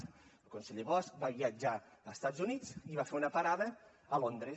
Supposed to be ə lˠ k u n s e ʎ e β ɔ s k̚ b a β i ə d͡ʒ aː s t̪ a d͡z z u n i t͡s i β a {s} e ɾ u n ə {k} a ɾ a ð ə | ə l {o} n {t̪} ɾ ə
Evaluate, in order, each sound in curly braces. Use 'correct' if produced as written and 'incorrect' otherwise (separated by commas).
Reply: incorrect, incorrect, correct, incorrect